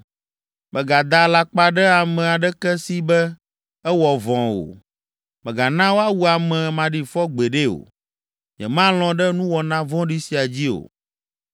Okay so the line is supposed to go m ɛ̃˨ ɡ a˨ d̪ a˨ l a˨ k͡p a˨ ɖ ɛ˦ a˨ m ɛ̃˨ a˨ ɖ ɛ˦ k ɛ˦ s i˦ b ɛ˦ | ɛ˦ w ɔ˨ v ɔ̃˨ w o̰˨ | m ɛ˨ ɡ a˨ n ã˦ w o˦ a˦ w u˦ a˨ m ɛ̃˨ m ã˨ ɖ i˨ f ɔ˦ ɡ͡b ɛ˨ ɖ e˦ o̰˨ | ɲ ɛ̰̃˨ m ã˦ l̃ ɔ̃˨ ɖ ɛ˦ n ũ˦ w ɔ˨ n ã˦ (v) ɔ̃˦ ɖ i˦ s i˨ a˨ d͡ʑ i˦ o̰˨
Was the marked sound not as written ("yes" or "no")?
no